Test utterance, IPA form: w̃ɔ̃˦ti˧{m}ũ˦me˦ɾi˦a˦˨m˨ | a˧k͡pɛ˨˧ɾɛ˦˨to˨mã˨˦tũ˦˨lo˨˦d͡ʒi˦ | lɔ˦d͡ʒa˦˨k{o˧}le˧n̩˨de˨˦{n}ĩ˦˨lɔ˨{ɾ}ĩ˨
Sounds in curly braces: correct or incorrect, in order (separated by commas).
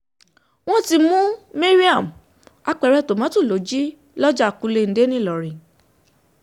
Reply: correct, incorrect, correct, correct